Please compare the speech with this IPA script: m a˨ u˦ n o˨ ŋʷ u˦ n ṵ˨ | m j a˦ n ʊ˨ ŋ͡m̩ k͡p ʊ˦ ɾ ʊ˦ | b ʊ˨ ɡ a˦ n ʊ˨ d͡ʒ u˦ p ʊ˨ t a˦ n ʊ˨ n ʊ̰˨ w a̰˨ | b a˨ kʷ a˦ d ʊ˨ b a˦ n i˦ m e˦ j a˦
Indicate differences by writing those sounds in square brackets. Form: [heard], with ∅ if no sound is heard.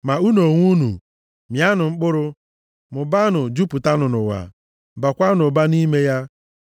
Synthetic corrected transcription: m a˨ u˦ n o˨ ŋʷ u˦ n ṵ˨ | m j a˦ n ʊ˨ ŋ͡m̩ k͡p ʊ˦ ɾ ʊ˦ | [m] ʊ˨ [b] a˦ n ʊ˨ d͡ʒ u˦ p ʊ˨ t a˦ n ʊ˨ n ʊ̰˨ w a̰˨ | b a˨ kʷ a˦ [n] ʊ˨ b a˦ n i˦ m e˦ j a˦